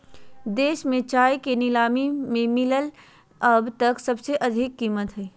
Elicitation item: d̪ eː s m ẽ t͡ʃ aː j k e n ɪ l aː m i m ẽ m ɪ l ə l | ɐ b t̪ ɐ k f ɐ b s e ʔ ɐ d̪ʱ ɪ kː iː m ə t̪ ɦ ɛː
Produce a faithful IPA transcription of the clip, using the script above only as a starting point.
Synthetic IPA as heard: d̪ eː ʃ m ẽ t͡ʃ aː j k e n ɪ l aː m i m ẽ m ɪ l ə l | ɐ b t̪ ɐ k s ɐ b s e ʔ ɐ d̪ʱ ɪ kː iː m ə t̪ ɦ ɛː

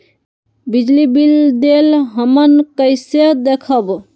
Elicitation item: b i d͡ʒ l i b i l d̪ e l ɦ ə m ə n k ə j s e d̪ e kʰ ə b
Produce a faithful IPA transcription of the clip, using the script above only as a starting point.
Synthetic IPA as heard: b i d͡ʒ l i b i l d̪ e l ɦ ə m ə n k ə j s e d̪ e kʰ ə b

